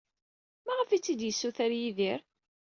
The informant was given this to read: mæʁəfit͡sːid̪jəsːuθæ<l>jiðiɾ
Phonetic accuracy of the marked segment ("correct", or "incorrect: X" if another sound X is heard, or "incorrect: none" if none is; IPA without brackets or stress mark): incorrect: ɾ